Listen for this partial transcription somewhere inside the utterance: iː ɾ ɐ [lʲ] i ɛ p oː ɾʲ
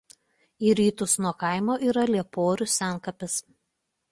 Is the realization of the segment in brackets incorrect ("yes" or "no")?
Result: no